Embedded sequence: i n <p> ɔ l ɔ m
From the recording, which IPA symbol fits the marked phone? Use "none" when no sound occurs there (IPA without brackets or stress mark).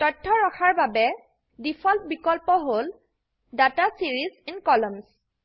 k